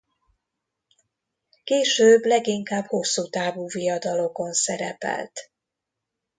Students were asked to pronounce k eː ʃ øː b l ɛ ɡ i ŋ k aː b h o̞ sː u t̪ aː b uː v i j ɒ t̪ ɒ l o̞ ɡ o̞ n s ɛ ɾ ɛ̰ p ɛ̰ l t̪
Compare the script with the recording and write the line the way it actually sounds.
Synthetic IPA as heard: k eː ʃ øː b l ɛ ɡ i ŋ k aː b h o̞ sː u t̪ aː v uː v i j ɒ d̪ ɒ l o̞ k o̞ n s ɛ ɾ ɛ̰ p ɛ̰ l t̪